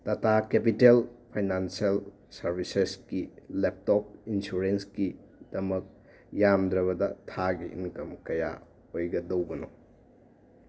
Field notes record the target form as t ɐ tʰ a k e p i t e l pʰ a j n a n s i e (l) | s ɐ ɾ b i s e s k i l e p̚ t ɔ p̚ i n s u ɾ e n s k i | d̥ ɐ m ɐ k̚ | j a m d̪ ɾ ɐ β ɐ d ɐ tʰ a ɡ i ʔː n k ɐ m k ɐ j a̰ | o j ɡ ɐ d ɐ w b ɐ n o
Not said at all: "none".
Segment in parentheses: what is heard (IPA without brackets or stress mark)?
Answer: l